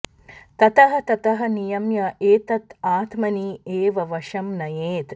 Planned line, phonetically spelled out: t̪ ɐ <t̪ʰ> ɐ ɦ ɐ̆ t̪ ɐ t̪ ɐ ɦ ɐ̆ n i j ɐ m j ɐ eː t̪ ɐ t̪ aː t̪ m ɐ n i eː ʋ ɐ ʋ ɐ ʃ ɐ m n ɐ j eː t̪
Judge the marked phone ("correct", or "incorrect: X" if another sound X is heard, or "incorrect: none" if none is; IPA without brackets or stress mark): incorrect: t̪